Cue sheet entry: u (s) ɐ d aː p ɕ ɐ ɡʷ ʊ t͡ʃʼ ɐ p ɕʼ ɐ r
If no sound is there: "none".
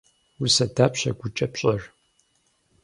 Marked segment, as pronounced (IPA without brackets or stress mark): s